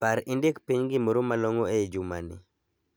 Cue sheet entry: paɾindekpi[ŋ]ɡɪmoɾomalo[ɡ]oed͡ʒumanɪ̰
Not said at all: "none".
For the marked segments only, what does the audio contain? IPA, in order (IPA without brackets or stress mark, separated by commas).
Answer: ɲ, ŋ